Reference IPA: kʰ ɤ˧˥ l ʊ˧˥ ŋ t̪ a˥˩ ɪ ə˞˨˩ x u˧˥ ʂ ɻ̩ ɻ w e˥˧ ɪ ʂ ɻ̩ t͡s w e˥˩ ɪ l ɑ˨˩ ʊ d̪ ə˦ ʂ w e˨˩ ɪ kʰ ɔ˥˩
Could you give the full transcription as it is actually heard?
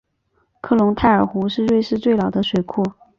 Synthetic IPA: kʰ ɤ˥˩ l ʊ˧˥ ŋ t̪ʰ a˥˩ ɪ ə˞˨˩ x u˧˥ ʂ ɻ̩ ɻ w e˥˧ ɪ ʂ ɻ̩ t͡s w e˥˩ ɪ l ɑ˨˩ ʊ d̪ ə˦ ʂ w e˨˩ ɪ kʰ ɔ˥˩